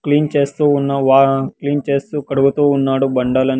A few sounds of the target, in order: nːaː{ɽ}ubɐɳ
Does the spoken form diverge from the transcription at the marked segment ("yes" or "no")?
no